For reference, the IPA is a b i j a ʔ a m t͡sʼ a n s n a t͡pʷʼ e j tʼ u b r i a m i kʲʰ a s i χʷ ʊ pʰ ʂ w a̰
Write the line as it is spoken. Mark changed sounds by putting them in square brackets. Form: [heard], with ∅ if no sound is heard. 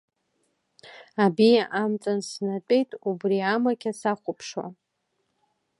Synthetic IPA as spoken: a b i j a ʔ a m t͡sʼ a n s n a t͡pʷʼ e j tʼ u b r i a m [a] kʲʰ a s [a] χʷ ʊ pʰ ʂ w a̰